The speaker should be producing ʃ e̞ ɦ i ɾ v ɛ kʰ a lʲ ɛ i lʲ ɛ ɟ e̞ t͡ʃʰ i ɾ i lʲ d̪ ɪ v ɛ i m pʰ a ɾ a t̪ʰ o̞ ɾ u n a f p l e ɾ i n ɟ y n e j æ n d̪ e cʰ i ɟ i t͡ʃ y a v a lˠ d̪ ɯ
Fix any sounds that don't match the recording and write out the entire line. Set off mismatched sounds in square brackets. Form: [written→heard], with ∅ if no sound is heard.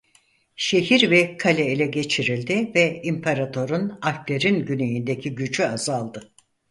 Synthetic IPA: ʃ e̞ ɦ i ɾ v ɛ kʰ a lʲ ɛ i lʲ ɛ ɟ e̞ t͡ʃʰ i ɾ i lʲ d̪ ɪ v ɛ i m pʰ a ɾ a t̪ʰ o̞ ɾ u n a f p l e ɾ i n ɟ y n e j [æ→i] n d̪ e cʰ i ɟ [i→y] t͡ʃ y a [v→z] a lˠ d̪ ɯ